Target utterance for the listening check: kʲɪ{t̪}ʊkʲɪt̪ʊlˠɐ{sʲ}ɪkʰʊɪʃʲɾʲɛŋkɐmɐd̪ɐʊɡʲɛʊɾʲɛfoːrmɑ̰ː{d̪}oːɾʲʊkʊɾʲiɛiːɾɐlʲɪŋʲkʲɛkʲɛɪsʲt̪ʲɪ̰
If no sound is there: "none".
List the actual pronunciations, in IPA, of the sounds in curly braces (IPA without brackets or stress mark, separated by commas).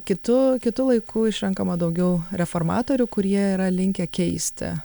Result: t̪, none, t̪